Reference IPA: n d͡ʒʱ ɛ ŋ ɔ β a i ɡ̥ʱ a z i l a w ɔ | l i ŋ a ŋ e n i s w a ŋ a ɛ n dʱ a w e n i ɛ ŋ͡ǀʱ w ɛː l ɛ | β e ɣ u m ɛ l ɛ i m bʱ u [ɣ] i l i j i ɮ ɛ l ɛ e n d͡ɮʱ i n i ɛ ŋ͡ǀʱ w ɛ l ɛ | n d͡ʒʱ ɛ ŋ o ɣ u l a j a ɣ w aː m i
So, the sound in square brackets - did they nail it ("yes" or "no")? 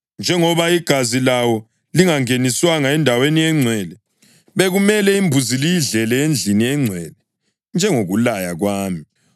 no